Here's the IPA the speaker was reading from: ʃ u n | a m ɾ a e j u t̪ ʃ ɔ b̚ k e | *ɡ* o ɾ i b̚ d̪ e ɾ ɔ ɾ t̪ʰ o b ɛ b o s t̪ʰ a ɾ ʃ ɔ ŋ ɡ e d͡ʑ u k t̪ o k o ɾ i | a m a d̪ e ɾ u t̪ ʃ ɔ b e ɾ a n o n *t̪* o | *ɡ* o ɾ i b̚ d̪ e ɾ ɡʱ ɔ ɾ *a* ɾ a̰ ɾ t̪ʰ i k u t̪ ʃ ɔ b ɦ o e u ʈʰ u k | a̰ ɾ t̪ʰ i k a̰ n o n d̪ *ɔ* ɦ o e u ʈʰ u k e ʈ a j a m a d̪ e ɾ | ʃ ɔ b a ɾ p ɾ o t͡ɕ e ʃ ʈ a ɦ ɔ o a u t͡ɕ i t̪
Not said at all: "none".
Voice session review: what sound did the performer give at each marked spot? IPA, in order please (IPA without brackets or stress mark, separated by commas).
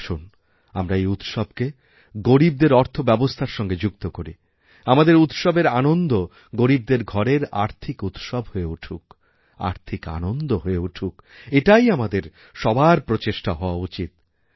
ɡ, d̪, ɡ, e, o